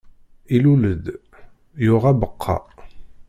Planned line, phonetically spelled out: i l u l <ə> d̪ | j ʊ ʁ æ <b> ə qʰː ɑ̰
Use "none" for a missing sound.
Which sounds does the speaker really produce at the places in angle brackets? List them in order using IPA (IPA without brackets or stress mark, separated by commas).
ə, b